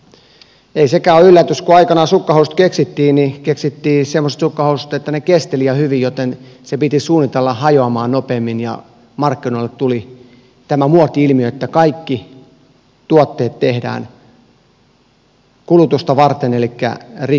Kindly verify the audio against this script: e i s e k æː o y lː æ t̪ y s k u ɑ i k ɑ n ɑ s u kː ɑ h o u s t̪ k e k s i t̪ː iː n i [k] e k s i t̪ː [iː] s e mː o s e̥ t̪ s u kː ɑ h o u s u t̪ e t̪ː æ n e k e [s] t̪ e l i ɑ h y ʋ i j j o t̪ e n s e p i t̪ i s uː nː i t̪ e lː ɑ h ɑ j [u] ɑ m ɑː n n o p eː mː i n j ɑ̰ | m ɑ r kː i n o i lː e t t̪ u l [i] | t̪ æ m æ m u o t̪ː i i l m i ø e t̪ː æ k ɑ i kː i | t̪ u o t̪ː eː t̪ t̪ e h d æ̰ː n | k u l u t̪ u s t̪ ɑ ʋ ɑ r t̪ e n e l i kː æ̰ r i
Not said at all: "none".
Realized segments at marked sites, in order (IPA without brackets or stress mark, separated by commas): k, iː, s, o, i